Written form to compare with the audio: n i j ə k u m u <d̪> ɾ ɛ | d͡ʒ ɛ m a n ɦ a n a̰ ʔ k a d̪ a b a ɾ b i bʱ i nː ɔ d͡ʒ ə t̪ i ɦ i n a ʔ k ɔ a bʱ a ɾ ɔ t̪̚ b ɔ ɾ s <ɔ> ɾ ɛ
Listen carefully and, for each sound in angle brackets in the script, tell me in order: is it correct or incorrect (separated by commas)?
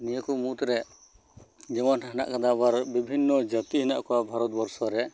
incorrect, correct